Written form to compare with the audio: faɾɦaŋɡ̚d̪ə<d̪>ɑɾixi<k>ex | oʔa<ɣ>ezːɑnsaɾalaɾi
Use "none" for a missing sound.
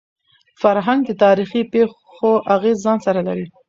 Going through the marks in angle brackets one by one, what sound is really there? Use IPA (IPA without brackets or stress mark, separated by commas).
t̪, p, ɣ